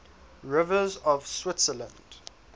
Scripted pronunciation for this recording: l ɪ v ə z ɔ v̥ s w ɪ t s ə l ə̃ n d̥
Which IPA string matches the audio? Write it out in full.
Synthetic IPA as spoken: ɹ ɪ v ə z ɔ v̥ s w ɪ t s ə l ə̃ n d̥